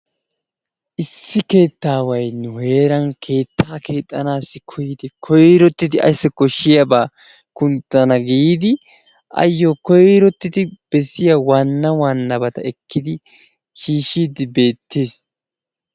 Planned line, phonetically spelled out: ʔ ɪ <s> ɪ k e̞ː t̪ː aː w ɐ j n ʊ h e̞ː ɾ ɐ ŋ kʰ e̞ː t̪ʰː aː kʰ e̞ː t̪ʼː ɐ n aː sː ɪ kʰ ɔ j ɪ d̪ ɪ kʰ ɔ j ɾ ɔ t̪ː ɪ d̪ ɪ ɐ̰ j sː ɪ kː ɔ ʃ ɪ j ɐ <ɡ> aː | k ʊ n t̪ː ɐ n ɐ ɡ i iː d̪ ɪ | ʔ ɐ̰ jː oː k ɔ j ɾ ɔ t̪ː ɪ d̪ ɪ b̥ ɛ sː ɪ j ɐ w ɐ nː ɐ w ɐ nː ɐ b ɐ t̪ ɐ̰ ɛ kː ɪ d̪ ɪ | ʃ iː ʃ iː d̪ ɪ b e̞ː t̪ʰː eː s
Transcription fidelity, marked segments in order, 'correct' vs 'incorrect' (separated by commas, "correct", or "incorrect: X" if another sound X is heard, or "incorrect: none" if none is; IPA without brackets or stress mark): incorrect: sː, incorrect: b